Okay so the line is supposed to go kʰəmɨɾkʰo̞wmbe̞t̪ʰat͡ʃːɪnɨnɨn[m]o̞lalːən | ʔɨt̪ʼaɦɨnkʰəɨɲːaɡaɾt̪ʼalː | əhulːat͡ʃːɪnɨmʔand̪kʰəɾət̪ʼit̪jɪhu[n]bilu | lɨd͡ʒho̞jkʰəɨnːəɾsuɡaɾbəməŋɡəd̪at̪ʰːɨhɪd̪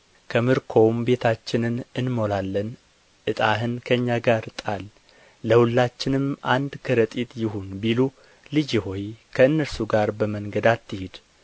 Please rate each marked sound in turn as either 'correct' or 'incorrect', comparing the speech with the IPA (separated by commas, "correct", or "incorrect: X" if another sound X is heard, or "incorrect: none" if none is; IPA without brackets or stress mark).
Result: correct, correct